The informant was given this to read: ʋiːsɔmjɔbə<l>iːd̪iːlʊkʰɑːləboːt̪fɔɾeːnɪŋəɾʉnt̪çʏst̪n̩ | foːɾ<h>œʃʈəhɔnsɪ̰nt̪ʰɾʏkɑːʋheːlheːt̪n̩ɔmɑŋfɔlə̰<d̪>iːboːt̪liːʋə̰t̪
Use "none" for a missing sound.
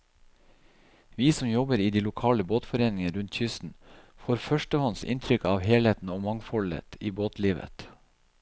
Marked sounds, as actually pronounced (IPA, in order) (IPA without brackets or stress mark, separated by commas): ɾ, f, t̪